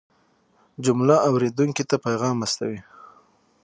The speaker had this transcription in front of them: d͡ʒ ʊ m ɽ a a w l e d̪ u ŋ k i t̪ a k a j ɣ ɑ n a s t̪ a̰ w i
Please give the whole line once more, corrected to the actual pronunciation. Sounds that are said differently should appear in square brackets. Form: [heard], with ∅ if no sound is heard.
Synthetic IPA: d͡ʒ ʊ m [l] a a w [ɾ] e d̪ u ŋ k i t̪ a [p] a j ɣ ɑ [m] a s t̪ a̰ w i